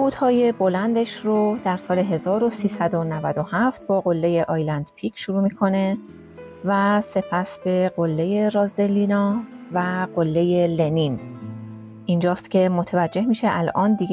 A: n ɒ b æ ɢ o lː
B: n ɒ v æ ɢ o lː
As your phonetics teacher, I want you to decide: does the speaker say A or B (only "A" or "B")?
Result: B